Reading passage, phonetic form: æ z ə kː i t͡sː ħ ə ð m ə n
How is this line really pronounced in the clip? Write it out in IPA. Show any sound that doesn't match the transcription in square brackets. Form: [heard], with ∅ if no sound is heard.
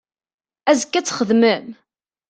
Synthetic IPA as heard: æ z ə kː [æ] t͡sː [χ] ə ð m ə [m]